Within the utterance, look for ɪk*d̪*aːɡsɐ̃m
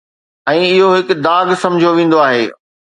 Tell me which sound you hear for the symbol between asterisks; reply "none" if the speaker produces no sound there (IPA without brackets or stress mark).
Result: d̪